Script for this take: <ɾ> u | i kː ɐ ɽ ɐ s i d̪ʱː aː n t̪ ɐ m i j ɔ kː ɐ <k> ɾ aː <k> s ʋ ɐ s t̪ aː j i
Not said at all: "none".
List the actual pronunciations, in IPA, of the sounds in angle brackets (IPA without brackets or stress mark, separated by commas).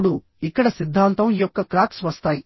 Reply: ɽ, k, k